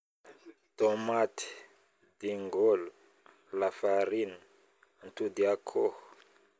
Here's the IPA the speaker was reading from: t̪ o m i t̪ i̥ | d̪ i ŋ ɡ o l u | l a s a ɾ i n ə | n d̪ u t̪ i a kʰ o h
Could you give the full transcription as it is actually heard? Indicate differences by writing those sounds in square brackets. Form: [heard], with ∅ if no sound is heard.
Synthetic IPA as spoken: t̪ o m [a] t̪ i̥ | d̪ i ŋ ɡ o l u | l a [f] a ɾ i n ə | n [t̪] u [d̪] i a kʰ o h

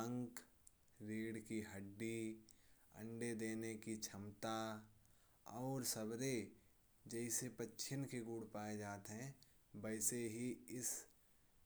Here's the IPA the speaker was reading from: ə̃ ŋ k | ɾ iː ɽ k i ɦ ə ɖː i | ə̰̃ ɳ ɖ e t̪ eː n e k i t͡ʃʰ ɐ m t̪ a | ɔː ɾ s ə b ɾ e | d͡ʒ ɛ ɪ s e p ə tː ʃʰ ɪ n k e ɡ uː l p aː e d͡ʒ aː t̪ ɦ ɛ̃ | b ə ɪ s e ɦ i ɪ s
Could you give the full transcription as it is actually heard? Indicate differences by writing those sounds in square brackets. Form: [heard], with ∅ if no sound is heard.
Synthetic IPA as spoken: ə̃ ŋ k | ɾ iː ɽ k i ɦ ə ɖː i | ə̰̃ ɳ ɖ e [d̪] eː n e k i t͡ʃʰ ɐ m t̪ a | ɔː ɾ s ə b ɾ e | d͡ʒ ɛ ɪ s e p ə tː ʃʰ ɪ n k e ɡ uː [ɽ] p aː e d͡ʒ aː t̪ ɦ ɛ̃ | b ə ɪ s e ɦ i ɪ s

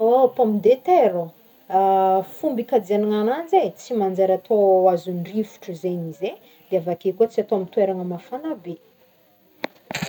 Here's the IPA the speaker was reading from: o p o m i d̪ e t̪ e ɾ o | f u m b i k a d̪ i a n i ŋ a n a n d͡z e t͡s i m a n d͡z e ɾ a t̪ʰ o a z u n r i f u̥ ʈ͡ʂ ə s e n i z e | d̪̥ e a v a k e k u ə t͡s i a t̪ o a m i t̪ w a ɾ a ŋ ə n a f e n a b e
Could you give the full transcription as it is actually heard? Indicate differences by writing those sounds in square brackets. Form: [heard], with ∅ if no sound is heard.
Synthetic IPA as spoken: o p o m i d̪ e t̪ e ɾ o | f u m b i k a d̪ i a n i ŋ a n a n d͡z e t͡s i m a n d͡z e ɾ a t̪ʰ o a z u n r i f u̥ ʈ͡ʂ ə [z] e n i z e | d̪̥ e a v a k e k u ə t͡s i a t̪ o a m i t̪ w [e] ɾ a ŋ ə [m] a f [a] n a b e

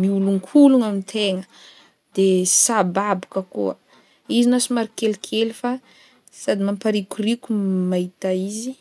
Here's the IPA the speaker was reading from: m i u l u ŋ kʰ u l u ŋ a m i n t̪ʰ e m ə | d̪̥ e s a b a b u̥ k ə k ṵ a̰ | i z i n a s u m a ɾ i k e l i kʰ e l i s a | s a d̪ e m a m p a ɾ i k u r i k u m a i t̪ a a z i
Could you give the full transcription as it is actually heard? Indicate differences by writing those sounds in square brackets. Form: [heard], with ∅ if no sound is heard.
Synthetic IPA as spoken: m i u l u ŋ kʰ u l u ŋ a m i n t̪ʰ e [ŋ] ə | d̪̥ e s a b a b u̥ k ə k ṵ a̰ | i z i n a s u m a ɾ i k e l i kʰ e l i [f] a | s a d̪ [i] m a m p a ɾ i k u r i k u m a i t̪ a [i] z i

